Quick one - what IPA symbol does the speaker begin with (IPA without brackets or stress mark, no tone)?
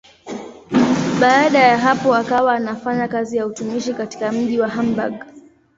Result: ɓ